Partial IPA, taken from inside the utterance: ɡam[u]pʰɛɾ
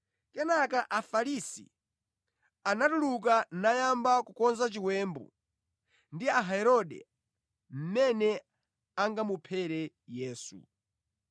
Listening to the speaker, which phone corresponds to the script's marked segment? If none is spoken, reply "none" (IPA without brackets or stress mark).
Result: u